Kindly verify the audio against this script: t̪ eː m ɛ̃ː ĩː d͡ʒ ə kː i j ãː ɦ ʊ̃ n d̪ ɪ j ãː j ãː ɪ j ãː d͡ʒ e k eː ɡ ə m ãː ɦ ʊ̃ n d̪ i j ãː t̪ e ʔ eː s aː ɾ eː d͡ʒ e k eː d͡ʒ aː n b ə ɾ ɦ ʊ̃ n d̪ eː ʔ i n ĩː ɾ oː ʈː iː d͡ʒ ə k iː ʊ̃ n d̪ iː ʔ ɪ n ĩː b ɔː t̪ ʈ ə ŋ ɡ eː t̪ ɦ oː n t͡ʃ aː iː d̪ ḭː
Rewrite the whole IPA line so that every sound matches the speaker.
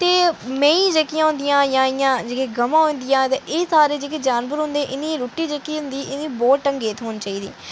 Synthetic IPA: t̪ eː m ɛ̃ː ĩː d͡ʒ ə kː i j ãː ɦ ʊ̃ n d̪ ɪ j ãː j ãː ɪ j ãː d͡ʒ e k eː ɡ ə m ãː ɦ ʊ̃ n d̪ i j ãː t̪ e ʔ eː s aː ɾ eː d͡ʒ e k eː d͡ʒ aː n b ə ɾ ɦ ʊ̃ n d̪ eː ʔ ɪ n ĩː ɾ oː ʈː iː d͡ʒ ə k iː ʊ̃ n d̪ iː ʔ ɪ n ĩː b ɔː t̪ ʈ ə ŋ ɡ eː t̪ ɦ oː n t͡ʃ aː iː d̪ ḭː